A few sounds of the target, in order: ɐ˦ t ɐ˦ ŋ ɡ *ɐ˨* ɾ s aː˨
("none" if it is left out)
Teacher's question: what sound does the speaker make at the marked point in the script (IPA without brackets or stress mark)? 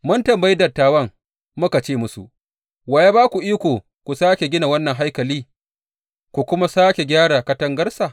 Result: ɐ˦